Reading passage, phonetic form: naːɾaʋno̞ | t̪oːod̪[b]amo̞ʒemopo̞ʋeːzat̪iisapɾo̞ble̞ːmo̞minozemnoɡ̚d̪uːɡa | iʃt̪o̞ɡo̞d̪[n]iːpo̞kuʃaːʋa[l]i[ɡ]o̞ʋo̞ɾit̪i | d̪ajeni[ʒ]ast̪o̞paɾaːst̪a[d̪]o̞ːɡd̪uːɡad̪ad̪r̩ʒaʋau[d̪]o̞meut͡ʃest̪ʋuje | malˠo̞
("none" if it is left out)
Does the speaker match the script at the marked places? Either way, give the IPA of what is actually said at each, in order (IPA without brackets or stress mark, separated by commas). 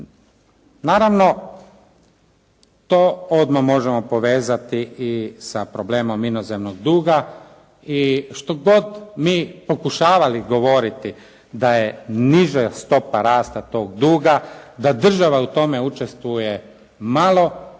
m, m, l, ɡ, ʒ, t̪, t̪